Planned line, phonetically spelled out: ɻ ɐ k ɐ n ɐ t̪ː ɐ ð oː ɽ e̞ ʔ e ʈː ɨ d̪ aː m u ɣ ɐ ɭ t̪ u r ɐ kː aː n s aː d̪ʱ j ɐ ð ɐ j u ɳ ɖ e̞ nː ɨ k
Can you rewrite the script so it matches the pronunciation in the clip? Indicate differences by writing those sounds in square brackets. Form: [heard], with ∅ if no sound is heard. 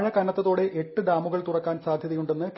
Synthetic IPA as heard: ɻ ɐ k ɐ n ɐ t̪ː ɐ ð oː ɽ e̞ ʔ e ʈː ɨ d̪ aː m u ɣ ɐ ɭ t̪ u r ɐ kː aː n s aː d̪ʱ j ɐ ð ɐ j u ɳ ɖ e̞ nː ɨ k